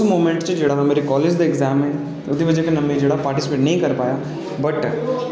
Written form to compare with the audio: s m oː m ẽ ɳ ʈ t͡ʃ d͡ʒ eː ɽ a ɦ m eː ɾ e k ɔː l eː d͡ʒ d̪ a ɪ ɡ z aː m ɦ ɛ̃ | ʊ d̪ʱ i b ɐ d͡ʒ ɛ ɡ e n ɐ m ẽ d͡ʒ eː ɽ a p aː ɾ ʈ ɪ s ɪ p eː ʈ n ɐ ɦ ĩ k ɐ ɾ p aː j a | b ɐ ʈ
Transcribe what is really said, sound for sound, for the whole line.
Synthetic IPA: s m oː m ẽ ɳ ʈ t͡ʃ d͡ʒ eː ɽ a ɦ m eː ɾ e k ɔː l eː d͡ʒ d̪ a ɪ ɡ z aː m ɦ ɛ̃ | ʊ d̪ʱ i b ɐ d͡ʒ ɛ k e n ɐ m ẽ d͡ʒ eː ɽ a p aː ɾ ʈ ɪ s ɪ p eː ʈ n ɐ ɦ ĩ k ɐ ɾ p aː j a | b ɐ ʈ

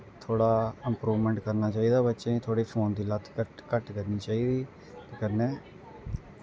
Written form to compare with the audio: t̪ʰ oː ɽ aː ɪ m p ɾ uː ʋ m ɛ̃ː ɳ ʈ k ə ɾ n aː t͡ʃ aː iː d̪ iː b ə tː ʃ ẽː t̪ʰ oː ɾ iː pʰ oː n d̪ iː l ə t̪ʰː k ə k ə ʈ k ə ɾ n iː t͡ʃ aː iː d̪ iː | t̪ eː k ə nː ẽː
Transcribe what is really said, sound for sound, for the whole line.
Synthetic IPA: t̪ʰ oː ɽ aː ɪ m p ɾ uː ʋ m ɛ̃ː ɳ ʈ k ə ɾ n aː t͡ʃ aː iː d̪ aː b ə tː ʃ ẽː t̪ʰ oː ɽ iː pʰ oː n d̪ iː l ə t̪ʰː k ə k ə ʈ k ə ɾ n iː t͡ʃ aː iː d̪ iː | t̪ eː k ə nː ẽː

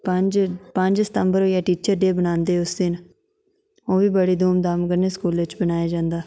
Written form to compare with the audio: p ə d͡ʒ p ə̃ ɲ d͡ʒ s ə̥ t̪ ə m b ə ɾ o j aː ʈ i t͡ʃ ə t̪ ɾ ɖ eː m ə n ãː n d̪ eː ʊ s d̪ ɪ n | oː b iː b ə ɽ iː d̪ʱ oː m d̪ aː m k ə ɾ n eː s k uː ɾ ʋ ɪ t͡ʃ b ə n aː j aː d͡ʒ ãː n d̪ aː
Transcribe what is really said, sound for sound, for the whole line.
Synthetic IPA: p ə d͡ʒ p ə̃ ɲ d͡ʒ s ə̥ t̪ ə m b ə ɾ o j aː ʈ iː t͡ʃ ə ɾ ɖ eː b ə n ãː n d̪ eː ʊ s d̪ ɪ n | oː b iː b ə ɽ iː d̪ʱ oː m d̪ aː m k ə ɾ n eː s k uː l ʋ ɪ t͡ʃ b ə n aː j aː d͡ʒ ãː n d̪ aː

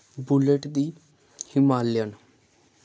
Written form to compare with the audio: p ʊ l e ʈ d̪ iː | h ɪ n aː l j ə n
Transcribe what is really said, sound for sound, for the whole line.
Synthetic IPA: b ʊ l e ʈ d̪ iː | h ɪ m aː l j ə n

